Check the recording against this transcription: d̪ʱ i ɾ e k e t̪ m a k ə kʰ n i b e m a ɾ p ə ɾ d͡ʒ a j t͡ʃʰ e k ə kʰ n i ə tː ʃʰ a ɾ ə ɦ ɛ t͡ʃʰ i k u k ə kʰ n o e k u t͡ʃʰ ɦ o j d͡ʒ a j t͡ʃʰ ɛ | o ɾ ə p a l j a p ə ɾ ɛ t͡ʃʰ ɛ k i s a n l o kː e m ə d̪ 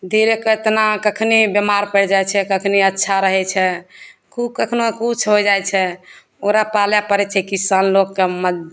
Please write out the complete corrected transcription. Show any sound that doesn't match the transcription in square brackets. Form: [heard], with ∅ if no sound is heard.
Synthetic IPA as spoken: d̪ʱ i ɾ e k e t̪ [n] a k ə kʰ n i b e m a ɾ p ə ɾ d͡ʒ a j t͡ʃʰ [ɛ] k ə kʰ n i ə tː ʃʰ a ɾ ə ɦ ɛ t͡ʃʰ [ɛ] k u k ə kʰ n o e k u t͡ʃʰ ɦ o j d͡ʒ a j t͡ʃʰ ɛ | o ɾ [a] p a l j a p ə ɾ ɛ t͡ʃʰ ɛ k i s a n l o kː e m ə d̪